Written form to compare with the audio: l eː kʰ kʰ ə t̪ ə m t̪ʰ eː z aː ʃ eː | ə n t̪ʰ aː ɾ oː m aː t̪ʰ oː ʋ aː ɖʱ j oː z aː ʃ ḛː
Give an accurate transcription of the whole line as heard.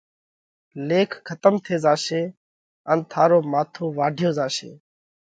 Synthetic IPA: l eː kʰ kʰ ə t̪ ə m t̪ʰ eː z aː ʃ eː | ə n t̪ʰ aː ɾ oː m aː t̪ʰ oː ʋ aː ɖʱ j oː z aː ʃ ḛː